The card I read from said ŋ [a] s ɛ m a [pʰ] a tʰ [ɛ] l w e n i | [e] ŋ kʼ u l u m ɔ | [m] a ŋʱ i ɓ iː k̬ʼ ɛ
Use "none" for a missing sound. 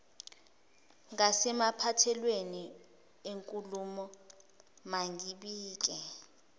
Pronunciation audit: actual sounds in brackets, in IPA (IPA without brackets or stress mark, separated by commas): a, pʰ, ɛ, e, m